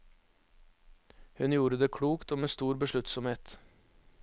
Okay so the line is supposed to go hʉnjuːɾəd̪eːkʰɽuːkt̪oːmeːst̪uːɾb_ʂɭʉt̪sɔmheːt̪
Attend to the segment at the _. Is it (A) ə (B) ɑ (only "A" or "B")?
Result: A